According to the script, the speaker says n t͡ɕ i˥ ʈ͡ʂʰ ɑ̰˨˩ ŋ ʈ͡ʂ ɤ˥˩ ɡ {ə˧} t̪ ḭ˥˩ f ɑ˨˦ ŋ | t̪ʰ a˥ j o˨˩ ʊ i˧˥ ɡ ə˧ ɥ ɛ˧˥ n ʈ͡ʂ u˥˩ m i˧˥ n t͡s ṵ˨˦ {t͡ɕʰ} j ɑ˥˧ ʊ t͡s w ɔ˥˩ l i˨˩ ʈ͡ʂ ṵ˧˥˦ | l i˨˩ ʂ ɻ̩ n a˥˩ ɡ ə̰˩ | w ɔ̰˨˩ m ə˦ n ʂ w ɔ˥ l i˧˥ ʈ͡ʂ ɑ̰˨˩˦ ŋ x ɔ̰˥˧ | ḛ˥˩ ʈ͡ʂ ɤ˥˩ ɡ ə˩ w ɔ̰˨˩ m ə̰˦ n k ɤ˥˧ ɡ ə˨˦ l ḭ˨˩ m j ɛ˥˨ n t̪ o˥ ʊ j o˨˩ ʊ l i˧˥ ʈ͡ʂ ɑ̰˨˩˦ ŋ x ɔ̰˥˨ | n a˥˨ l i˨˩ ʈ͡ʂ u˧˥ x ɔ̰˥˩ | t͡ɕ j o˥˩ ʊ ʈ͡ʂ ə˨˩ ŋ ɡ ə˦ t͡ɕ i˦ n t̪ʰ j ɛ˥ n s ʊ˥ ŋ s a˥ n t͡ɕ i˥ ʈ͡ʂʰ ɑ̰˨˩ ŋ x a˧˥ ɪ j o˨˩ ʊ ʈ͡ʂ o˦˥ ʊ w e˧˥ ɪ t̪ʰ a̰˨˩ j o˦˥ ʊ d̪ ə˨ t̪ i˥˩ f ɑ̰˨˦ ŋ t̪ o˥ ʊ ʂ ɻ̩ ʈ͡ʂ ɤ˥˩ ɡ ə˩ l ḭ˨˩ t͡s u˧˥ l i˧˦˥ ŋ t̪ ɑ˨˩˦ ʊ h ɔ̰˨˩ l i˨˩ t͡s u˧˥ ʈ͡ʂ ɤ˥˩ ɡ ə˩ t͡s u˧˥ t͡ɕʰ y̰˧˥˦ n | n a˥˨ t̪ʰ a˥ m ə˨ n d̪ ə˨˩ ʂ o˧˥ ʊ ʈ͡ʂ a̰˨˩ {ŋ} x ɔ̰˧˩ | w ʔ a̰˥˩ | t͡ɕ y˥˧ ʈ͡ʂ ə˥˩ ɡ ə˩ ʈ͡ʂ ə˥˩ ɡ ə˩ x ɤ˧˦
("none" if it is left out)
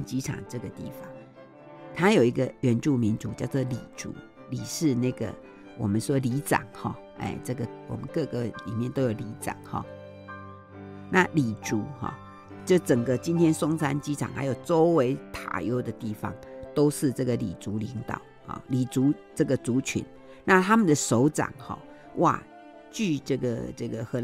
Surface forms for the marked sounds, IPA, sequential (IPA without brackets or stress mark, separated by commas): ə˩, t͡ɕ, ŋ